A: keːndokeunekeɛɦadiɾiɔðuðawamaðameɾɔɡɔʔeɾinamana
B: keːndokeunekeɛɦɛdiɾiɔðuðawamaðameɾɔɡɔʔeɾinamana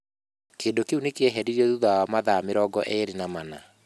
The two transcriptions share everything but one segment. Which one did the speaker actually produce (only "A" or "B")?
B